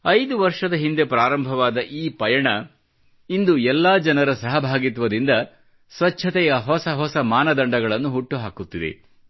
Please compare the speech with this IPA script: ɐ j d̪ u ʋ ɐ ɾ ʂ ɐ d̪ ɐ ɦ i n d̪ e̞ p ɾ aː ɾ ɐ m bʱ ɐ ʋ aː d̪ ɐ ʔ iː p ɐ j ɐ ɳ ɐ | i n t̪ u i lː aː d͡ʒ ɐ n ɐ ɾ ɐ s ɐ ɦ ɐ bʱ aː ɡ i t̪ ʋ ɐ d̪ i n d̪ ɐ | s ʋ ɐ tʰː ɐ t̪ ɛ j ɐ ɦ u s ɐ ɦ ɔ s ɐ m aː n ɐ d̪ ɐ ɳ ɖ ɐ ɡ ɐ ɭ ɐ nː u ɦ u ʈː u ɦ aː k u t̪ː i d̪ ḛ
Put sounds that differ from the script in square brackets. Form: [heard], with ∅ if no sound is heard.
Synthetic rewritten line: ɐ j d̪ u ʋ ɐ ɾ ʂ ɐ d̪ ɐ ɦ i n d̪ e̞ p ɾ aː ɾ ɐ m bʱ ɐ ʋ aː d̪ ɐ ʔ iː p ɐ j ɐ ɳ ɐ | i n [d̪] u [ɛ] lː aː d͡ʒ ɐ n ɐ ɾ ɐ s ɐ ɦ ɐ bʱ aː ɡ i t̪ ʋ ɐ d̪ i n d̪ ɐ | s ʋ ɐ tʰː ɐ t̪ ɛ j ɐ ɦ [ɔ] s ɐ ɦ ɔ s ɐ m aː n ɐ d̪ ɐ ɳ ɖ ɐ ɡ ɐ ɭ ɐ nː u ɦ u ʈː u ɦ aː k u t̪ː i d̪ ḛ

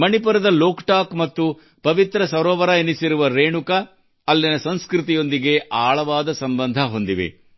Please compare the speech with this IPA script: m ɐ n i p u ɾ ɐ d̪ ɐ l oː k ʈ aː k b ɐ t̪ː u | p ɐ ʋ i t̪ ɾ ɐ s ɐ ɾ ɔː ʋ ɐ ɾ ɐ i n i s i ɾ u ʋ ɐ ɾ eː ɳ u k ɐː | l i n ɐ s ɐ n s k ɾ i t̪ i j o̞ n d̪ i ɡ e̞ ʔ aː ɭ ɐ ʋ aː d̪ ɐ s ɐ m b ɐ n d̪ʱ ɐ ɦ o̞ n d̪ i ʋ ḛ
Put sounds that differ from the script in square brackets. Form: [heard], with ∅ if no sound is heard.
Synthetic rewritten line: m ɐ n i p u ɾ ɐ d̪ ɐ l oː k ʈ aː k [m] ɐ t̪ː u | p ɐ ʋ i t̪ ɾ ɐ s ɐ ɾ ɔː ʋ ɐ ɾ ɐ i n i s i ɾ u ʋ ɐ ɾ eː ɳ u k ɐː | [lː] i n ɐ s ɐ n s k ɾ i t̪ i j o̞ n d̪ i ɡ e̞ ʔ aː ɭ ɐ ʋ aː d̪ ɐ s ɐ m b ɐ n d̪ʱ ɐ ɦ o̞ n d̪ i ʋ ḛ

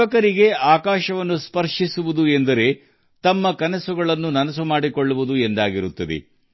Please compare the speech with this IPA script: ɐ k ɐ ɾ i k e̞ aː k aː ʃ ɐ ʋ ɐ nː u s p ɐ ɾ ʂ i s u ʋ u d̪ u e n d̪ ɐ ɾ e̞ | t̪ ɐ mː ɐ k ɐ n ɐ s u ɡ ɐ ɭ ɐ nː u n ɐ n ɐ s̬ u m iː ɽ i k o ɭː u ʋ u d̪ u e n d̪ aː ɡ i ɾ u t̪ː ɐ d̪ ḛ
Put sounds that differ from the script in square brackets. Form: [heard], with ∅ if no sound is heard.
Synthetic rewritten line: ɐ k ɐ ɾ i [ɡ] e̞ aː k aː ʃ ɐ ʋ ɐ nː u s p ɐ ɾ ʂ i s u ʋ u d̪ u e n d̪ ɐ ɾ e̞ | t̪ ɐ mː ɐ k ɐ n ɐ s u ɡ ɐ ɭ ɐ nː u n ɐ n ɐ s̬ u m [aː] ɽ i k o ɭː u ʋ u d̪ u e n d̪ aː ɡ i ɾ u t̪ː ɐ d̪ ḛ

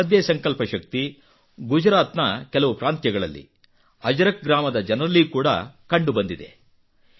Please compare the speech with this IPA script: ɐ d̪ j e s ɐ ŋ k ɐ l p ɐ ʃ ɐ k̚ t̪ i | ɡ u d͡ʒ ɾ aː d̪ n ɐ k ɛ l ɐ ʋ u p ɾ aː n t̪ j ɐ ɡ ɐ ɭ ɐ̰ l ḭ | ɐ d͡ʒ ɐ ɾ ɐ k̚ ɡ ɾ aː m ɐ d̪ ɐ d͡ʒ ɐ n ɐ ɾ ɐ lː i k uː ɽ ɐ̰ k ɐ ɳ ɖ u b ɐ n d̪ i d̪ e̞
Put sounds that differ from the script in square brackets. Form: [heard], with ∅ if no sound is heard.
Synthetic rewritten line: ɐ d̪ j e s ɐ ŋ k ɐ l p ɐ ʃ ɐ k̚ t̪ i | ɡ u d͡ʒ ɾ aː [t̪] n ɐ k ɛ l ɐ ʋ u p ɾ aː n t̪ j ɐ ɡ ɐ ɭ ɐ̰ [lː] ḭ | ɐ d͡ʒ ɐ ɾ ɐ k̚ ɡ ɾ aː m ɐ d̪ ɐ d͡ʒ ɐ n ɐ ɾ ɐ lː i k uː ɽ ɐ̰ k ɐ ɳ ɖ u b ɐ n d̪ i d̪ e̞

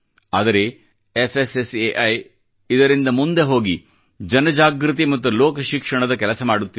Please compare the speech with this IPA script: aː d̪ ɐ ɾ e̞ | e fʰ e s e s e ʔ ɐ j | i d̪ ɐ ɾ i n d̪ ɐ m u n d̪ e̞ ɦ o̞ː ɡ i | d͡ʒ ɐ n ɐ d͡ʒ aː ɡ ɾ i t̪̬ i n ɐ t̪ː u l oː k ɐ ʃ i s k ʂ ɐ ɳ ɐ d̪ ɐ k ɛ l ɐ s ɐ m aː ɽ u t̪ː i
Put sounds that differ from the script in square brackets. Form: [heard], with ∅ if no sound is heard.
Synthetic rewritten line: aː d̪ ɐ ɾ e̞ | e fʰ e s e s e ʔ ɐ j | i d̪ ɐ ɾ i n d̪ ɐ m u n d̪ e̞ ɦ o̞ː ɡ i | d͡ʒ ɐ n ɐ d͡ʒ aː ɡ ɾ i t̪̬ i [m] ɐ t̪ː u l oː k ɐ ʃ i [∅] k ʂ ɐ ɳ ɐ d̪ ɐ k ɛ l ɐ s ɐ m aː ɽ u t̪ː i

